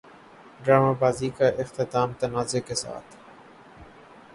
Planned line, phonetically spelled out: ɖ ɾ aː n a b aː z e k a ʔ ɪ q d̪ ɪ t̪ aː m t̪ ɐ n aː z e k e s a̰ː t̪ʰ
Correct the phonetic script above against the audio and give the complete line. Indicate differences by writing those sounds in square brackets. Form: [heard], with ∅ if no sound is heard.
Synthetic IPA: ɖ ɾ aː [m] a b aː z [i] k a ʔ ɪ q [t̪] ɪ t̪ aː m t̪ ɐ n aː z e k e s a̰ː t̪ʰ